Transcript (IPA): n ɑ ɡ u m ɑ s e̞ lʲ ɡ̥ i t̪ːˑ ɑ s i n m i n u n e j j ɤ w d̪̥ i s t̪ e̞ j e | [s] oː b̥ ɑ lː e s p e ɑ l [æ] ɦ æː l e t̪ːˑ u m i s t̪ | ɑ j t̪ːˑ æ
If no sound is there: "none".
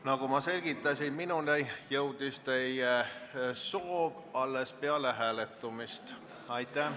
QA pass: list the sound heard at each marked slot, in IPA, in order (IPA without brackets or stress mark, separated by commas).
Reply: s, e